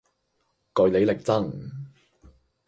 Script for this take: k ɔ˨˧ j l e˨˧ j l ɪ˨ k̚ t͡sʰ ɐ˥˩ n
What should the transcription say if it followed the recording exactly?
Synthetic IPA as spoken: k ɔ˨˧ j l e˨˧ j l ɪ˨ k̚ t͡s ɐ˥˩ ŋ